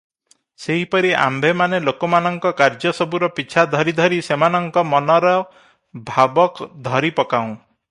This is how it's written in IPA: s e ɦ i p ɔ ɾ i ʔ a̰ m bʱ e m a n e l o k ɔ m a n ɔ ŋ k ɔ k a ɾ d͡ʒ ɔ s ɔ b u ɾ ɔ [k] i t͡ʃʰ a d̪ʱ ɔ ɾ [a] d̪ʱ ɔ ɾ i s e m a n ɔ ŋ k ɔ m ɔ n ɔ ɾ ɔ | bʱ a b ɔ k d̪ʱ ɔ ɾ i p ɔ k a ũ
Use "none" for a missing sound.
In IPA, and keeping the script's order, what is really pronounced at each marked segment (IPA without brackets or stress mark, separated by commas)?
p, i